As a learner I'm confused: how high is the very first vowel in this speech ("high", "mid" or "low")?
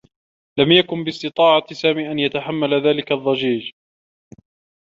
low